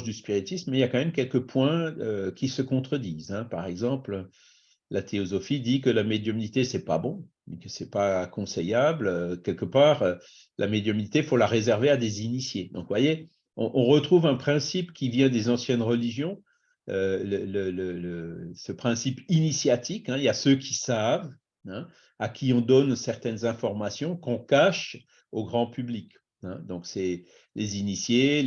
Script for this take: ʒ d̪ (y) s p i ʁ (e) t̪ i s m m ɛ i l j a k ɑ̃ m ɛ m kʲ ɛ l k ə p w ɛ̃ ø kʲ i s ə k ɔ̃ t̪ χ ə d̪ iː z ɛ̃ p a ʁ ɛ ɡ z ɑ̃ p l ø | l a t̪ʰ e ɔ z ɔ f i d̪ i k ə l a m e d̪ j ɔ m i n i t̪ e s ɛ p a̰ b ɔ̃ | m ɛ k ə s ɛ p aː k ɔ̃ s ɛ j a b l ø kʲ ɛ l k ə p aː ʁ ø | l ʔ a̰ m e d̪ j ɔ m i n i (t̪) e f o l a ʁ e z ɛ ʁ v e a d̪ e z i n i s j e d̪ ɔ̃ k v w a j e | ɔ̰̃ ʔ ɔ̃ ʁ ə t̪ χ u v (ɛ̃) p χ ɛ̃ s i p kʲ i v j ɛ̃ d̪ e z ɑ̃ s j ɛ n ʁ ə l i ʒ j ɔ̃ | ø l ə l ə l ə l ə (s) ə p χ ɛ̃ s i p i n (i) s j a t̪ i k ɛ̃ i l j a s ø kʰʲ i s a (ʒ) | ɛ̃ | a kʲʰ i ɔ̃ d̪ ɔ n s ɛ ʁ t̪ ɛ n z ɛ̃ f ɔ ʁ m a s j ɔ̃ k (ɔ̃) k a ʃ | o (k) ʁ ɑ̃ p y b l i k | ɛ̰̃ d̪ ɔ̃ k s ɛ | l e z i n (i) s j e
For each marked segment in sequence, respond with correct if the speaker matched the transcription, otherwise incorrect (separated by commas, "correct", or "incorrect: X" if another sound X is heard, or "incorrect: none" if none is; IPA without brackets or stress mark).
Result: correct, incorrect: i, correct, correct, correct, correct, incorrect: v, correct, incorrect: ɡ, correct